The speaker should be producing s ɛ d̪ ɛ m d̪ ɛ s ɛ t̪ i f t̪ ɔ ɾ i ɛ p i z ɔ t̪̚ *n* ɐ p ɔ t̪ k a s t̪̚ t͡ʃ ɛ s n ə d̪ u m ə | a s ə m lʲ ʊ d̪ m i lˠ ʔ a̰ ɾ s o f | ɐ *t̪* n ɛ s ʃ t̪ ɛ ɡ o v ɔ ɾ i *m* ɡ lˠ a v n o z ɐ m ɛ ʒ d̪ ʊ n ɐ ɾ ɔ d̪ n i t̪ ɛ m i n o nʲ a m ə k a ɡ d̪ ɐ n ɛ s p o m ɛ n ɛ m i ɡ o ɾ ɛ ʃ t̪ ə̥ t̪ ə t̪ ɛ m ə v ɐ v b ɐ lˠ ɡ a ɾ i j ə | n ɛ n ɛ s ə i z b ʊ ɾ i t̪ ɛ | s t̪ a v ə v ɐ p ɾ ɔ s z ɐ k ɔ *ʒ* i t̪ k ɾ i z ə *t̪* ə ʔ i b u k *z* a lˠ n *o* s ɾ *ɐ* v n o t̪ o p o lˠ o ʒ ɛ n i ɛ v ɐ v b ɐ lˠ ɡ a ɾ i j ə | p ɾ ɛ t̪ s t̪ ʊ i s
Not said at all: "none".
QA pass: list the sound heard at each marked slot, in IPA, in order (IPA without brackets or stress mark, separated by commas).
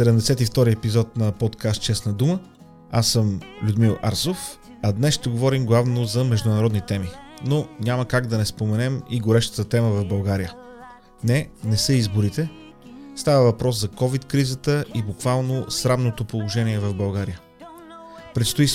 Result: n, d̪, m, v, t̪, v, o, a